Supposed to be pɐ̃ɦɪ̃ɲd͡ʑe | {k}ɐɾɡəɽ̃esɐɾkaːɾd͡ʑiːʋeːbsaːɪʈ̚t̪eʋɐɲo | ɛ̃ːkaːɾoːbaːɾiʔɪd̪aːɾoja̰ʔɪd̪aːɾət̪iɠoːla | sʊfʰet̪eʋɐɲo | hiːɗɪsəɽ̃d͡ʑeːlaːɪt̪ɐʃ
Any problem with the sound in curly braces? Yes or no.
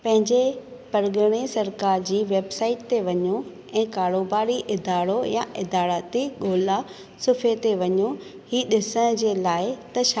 yes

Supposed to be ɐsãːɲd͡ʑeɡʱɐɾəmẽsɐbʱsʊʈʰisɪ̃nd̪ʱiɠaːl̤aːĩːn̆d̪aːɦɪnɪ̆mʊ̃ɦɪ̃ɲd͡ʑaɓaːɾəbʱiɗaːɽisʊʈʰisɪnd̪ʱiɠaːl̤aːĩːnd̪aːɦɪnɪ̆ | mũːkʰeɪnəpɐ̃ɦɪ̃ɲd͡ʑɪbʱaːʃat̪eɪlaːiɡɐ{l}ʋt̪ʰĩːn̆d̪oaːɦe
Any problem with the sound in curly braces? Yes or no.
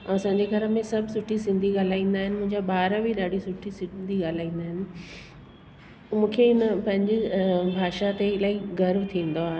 yes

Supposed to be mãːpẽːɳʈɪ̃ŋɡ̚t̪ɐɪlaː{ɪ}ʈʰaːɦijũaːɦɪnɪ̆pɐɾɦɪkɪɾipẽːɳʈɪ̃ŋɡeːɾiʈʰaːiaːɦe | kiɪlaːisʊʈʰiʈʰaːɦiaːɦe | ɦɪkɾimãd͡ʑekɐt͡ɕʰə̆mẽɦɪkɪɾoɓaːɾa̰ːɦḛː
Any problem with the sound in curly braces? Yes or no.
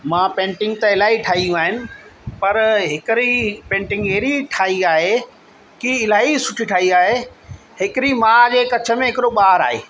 yes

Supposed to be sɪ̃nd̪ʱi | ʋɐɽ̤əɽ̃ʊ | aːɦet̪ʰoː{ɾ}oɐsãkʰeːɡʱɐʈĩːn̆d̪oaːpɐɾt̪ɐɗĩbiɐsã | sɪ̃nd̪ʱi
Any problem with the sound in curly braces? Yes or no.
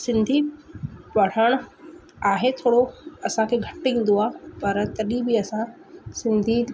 yes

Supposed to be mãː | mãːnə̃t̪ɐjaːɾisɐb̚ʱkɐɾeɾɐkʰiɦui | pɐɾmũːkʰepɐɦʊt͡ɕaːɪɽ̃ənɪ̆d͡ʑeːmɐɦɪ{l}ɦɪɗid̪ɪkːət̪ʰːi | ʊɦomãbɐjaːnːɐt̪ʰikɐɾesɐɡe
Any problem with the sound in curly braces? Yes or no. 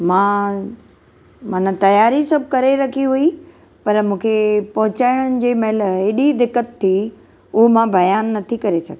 no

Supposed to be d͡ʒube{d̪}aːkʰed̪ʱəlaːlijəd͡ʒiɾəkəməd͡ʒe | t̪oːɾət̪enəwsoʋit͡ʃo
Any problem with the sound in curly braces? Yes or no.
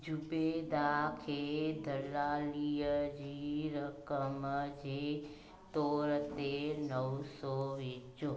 no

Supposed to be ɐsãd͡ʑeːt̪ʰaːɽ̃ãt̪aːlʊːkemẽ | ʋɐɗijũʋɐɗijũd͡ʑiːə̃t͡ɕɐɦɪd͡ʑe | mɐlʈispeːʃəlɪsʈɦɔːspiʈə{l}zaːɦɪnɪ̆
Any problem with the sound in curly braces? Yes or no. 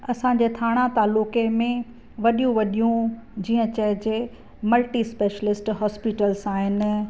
no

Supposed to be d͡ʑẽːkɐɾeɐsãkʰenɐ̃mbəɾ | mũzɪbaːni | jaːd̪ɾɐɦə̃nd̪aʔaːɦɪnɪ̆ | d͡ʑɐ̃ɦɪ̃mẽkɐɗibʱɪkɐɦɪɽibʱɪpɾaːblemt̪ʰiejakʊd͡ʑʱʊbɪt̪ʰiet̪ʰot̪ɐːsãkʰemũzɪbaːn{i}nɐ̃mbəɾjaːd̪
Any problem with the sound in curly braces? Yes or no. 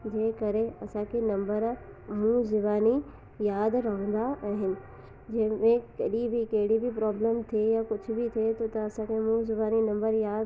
no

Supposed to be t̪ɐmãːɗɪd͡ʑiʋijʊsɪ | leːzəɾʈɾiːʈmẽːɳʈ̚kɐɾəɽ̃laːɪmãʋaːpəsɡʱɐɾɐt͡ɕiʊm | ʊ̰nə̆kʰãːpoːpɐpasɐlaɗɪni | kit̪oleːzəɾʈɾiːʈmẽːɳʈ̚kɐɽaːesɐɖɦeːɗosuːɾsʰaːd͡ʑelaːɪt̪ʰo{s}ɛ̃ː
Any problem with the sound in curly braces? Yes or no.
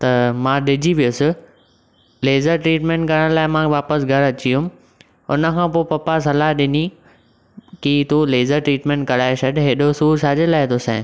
no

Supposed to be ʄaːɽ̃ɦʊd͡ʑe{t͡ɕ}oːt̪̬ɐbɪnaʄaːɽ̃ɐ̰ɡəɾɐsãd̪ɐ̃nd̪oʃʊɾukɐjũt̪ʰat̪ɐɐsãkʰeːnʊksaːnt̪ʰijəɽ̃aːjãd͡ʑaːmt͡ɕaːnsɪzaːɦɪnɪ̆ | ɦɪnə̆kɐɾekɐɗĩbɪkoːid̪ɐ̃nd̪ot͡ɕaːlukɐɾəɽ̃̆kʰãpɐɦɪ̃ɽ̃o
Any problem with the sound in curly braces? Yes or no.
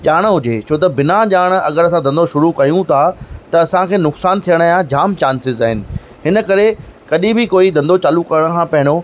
yes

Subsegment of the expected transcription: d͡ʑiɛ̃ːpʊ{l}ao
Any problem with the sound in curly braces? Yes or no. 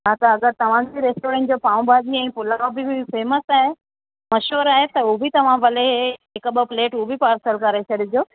no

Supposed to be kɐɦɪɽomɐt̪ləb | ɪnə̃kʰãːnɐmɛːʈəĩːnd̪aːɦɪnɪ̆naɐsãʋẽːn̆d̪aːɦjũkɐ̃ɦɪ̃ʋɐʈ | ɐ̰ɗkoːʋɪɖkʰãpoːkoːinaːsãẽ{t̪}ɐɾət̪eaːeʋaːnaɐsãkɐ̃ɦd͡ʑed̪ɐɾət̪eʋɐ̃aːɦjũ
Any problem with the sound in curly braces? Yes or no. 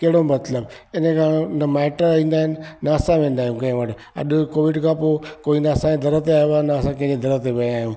yes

